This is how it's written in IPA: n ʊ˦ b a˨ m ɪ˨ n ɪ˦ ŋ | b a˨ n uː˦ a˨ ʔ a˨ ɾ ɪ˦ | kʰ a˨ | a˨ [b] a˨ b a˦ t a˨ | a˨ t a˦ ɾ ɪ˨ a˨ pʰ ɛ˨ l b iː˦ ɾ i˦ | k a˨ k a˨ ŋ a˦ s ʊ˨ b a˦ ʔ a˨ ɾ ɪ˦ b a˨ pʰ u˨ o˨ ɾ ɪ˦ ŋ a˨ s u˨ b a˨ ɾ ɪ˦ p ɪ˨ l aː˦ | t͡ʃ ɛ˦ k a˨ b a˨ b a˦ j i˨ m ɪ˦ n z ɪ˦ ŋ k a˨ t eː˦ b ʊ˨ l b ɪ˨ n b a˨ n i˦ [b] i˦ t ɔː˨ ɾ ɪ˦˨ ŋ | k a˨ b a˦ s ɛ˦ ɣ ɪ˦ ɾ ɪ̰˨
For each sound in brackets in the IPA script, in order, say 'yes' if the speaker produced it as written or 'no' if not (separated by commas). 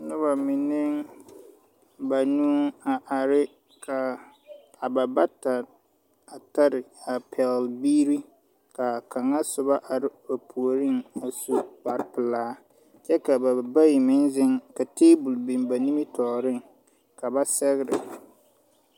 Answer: yes, no